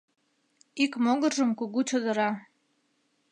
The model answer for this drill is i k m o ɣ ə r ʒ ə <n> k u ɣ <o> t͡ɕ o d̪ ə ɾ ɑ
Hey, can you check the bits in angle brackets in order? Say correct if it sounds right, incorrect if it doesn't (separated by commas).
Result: incorrect, incorrect